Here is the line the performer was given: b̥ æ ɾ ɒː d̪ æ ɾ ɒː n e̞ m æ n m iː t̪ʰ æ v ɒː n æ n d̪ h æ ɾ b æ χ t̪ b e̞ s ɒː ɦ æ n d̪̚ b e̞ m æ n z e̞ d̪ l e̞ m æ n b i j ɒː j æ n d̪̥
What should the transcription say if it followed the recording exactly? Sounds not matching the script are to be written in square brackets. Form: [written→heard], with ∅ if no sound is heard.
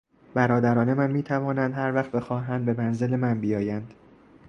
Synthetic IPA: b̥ æ ɾ ɒː d̪ æ ɾ ɒː n e̞ m æ n m iː t̪ʰ æ v ɒː n æ n d̪ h æ ɾ [b→v] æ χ t̪ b e̞ [s→x] ɒː ɦ æ n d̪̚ b e̞ m æ n z e̞ [d̪→∅] l e̞ m æ n b i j ɒː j æ n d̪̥